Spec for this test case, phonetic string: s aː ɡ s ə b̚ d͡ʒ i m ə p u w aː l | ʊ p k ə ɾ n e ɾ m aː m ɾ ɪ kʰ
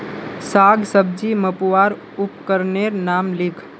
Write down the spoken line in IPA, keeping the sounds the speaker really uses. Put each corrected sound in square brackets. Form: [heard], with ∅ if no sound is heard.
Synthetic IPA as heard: s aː ɡ s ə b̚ d͡ʒ i m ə p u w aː [ɾ] | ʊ p k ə ɾ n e ɾ [n] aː m [l] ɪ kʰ